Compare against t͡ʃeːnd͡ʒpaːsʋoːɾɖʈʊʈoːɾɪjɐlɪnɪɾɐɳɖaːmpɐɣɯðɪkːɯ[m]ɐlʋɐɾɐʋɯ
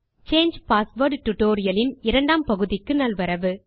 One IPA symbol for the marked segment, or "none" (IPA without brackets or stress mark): n